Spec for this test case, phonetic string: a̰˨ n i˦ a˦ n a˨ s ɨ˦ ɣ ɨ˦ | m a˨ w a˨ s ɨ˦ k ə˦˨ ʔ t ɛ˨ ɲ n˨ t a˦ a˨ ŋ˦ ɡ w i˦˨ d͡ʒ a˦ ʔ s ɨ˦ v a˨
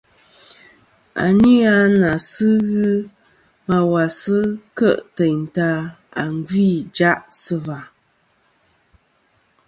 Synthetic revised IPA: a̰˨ n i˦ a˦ n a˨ s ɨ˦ ɣ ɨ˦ | m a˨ w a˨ s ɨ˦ k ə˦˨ ʔ t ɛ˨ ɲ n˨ t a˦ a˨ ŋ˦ ɡ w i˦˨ d͡ʒ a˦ ʔ s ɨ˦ v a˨

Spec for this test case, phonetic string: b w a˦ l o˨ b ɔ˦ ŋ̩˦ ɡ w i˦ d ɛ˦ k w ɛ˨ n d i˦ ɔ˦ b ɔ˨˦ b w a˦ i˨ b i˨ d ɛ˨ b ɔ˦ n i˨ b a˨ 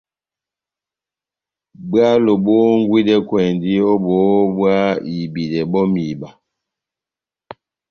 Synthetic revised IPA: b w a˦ l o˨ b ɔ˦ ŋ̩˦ ɡ w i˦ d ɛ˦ k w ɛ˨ n d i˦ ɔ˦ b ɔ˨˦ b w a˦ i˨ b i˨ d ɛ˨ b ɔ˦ m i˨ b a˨

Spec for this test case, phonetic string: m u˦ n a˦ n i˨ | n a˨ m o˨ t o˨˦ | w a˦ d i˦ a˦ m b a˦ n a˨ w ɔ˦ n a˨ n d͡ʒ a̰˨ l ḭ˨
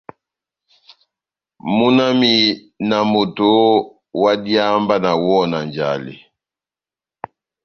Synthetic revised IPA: m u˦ n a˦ m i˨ | n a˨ m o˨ t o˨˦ | w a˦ d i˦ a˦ m b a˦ n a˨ w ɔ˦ n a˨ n d͡ʒ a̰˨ l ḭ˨

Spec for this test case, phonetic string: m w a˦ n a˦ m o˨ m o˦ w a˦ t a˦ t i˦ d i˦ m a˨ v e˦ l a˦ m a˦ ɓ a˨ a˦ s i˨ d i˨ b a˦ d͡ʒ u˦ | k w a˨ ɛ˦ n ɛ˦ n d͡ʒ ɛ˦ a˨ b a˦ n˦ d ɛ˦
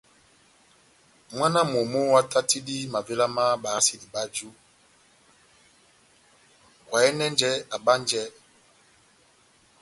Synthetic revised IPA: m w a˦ n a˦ m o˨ m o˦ w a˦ t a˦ t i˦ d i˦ m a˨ v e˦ l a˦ m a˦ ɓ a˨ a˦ s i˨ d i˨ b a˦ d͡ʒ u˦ | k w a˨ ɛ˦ n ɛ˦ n d͡ʒ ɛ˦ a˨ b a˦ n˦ d͡ʒ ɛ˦

